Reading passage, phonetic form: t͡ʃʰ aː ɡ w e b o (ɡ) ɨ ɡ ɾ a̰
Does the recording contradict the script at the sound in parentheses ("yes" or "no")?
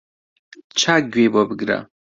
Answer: yes